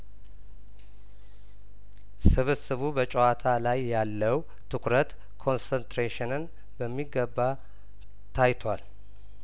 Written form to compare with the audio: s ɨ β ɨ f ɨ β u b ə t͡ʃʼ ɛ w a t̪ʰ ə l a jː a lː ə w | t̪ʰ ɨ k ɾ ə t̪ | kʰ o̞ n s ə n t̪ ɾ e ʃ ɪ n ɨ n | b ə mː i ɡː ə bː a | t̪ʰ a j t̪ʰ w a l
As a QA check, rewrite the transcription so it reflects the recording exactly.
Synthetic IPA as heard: s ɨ β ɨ s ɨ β u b ə t͡ʃʼ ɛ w a t̪ʰ a l a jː a lː ə w | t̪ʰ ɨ k ɾ ə t̪ | kʰ o̞ n s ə n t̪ ɾ e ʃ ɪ n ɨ n | b ə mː i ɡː ə bː a | t̪ʰ a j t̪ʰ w a l